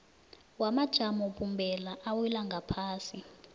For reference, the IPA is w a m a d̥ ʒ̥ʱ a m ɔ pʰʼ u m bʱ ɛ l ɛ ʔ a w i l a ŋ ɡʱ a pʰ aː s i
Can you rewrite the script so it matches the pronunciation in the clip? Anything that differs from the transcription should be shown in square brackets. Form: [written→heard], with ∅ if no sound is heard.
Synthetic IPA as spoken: w a m a d̥ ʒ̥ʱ a m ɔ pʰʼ u m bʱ ɛ l [ɛ→a] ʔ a w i l a ŋ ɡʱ a pʰ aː s i